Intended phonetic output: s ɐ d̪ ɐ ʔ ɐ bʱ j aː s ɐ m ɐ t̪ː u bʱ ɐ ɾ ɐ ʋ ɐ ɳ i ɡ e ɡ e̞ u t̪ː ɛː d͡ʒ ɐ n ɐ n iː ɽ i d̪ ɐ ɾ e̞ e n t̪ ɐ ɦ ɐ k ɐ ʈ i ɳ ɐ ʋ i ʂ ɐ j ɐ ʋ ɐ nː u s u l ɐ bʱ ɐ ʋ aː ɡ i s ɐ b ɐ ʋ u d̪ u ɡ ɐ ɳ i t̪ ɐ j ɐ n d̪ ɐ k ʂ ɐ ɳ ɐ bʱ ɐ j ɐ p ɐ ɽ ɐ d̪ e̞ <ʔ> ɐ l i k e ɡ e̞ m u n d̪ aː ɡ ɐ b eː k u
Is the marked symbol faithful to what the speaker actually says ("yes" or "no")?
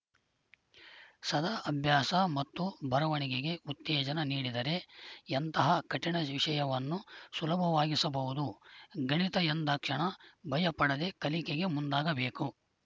no